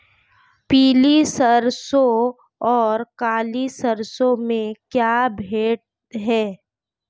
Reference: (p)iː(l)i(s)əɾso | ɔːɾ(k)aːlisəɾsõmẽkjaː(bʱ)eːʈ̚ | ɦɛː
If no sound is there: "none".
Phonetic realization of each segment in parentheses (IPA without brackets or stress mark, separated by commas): p, l, s, k, bʱ